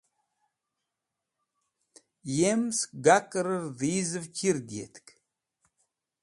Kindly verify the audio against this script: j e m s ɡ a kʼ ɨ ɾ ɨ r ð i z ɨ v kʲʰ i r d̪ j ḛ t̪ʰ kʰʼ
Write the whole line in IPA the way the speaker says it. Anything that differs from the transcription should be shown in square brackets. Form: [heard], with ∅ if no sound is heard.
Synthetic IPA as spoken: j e m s ɡ a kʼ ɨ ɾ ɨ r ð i z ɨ v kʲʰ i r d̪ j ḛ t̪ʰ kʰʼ